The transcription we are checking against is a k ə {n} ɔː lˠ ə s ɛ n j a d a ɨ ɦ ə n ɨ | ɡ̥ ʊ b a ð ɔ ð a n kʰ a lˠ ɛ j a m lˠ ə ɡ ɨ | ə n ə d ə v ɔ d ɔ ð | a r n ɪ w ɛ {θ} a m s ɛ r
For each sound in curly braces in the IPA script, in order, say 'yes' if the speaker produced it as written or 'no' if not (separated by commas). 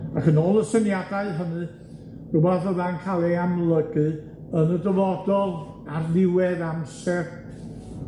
yes, no